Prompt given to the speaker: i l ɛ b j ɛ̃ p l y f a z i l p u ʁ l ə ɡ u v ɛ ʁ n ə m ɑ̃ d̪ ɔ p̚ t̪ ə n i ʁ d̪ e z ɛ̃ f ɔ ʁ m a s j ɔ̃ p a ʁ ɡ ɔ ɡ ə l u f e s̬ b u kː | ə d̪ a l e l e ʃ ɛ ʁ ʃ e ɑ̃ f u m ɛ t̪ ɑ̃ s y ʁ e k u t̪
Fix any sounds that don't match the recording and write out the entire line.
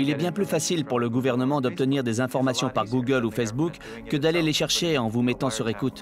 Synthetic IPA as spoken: i l ɛ b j ɛ̃ p l y f a s i l p u ʁ l ə ɡ u v ɛ ʁ n ə m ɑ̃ d̪ ɔ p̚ t̪ ə n i ʁ d̪ e z ɛ̃ f ɔ ʁ m a s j ɔ̃ p a ʁ ɡ u ɡ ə l u f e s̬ b u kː | ə d̪ a l e l e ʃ ɛ ʁ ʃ e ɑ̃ v u m ɛ t̪ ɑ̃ s y ʁ e k u t̪